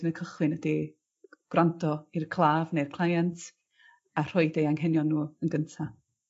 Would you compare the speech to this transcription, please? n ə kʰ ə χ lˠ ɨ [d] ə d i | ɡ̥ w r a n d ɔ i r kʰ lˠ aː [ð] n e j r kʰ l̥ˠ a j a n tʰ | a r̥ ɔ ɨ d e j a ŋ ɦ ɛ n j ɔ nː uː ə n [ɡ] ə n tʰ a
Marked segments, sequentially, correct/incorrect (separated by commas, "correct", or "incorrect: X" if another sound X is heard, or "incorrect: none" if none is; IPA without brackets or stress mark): incorrect: n, incorrect: v, correct